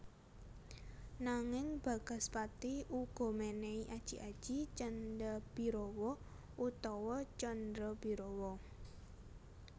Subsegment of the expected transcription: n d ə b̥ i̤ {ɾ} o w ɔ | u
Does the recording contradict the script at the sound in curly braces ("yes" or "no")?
no